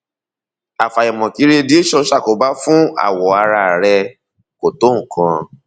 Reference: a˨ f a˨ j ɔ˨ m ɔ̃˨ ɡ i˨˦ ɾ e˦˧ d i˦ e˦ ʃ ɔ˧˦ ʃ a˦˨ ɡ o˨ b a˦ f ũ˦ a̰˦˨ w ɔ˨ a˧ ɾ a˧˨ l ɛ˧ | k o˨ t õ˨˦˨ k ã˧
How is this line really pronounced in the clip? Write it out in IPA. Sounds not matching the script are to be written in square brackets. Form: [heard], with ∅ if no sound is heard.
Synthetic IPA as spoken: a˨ f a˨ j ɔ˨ m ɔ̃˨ [k] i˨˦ ɾ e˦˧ d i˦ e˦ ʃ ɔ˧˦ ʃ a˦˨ [k] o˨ b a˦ f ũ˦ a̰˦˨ w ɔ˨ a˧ ɾ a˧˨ [ɾ] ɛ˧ | k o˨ t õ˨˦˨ k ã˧